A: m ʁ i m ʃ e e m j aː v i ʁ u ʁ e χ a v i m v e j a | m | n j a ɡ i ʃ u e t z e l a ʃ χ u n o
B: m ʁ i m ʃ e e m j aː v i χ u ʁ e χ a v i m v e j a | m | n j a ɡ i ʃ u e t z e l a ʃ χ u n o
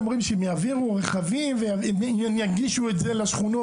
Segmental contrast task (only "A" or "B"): A